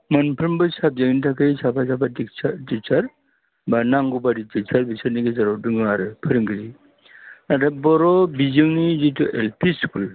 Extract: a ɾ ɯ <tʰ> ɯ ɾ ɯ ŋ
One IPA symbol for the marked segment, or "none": pʰ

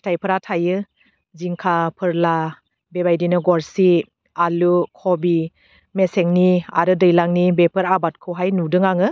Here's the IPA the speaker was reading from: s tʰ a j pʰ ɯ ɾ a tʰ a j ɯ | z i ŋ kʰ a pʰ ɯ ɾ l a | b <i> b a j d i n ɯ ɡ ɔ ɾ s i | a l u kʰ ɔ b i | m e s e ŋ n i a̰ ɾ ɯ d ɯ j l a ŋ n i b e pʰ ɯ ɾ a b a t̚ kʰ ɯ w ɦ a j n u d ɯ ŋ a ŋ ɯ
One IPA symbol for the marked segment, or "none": e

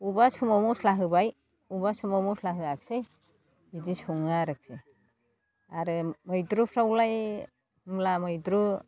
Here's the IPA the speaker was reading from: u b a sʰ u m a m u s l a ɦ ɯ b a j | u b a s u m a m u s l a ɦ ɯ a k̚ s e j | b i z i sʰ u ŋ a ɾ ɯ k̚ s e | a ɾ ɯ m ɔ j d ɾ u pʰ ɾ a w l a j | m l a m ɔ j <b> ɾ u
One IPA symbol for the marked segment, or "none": d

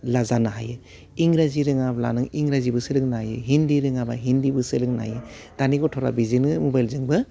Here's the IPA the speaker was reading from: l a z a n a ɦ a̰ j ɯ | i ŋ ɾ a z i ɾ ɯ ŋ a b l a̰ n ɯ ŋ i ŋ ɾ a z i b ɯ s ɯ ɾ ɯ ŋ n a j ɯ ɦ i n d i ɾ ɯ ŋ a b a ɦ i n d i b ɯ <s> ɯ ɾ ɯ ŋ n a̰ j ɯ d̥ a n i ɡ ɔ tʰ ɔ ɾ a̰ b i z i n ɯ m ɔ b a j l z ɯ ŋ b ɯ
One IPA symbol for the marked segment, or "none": s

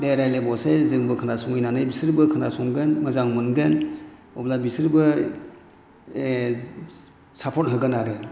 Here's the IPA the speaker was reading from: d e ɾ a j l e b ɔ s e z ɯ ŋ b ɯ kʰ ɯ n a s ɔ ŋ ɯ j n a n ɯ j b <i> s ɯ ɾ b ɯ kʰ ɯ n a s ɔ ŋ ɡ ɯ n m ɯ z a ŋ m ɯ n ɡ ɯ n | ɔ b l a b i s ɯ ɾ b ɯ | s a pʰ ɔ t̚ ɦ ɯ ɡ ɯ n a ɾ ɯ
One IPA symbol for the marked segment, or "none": i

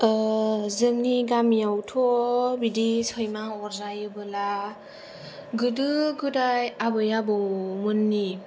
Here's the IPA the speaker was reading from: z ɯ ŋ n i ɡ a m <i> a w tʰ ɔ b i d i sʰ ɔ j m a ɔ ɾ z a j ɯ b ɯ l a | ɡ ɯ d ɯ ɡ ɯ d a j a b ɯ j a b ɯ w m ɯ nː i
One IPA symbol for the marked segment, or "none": j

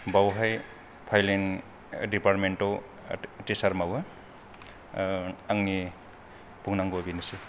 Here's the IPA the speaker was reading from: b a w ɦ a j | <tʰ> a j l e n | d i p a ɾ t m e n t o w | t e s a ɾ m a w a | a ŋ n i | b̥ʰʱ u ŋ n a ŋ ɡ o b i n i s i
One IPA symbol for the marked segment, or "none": pʰ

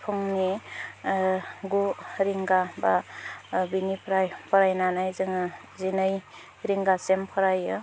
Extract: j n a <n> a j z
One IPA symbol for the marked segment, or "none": n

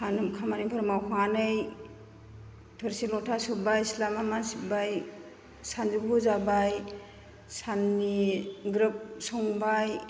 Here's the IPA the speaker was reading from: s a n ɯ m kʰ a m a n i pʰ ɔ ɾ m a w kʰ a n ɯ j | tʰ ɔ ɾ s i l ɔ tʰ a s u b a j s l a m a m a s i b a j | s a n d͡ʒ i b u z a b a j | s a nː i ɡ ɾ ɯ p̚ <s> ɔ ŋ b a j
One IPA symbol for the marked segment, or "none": s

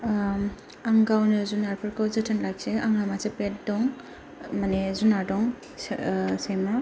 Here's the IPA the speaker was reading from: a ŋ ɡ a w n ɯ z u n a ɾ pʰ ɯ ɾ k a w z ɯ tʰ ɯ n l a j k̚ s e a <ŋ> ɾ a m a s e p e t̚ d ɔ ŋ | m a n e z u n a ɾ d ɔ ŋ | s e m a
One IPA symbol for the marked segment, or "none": ŋ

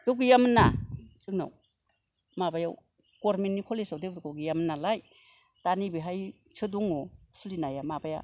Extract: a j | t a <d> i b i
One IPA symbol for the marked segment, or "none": n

